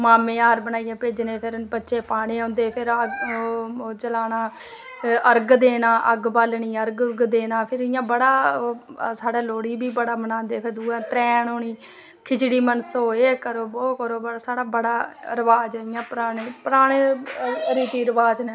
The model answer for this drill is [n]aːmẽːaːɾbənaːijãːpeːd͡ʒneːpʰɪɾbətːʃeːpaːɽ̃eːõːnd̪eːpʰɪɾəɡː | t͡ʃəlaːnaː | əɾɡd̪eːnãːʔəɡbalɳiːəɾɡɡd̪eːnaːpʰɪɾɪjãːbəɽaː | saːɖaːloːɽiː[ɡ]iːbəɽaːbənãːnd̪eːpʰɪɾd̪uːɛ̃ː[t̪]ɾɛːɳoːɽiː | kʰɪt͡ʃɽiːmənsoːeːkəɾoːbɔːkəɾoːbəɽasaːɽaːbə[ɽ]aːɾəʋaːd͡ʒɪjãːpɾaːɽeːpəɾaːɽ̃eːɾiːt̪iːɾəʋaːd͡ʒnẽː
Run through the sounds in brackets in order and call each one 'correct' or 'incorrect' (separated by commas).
incorrect, incorrect, correct, correct